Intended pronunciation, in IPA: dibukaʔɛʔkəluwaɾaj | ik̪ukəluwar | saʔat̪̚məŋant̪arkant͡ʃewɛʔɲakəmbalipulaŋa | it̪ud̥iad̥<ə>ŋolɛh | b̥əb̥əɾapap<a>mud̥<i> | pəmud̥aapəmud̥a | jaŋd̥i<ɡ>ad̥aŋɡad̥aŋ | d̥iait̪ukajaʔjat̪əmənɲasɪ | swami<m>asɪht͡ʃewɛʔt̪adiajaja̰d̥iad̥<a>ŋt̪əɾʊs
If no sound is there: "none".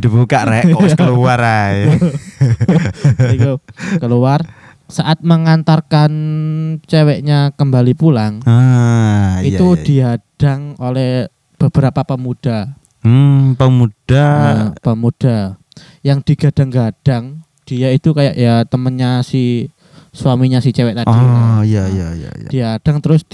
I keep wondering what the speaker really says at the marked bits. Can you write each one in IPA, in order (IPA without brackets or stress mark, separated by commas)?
a, ə, a, ɡ, ɲ, a